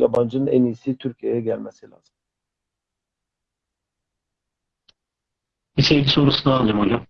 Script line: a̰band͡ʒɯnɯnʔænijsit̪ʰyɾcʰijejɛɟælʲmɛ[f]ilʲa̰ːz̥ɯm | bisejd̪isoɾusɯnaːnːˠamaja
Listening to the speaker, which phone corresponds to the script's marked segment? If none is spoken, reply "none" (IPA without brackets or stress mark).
s